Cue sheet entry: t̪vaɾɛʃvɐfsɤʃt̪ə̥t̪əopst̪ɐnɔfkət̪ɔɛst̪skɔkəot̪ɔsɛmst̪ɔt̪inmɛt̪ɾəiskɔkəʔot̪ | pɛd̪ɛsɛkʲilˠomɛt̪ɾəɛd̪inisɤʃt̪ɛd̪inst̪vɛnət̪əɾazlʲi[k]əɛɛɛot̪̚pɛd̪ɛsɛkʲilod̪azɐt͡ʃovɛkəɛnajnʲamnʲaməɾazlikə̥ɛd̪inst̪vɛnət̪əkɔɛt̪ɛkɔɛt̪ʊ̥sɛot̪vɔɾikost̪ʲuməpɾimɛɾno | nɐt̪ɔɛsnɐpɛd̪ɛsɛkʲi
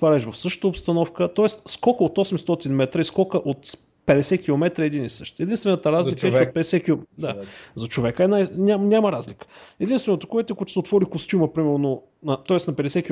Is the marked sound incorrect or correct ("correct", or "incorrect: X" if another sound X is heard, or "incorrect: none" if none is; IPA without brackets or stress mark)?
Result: correct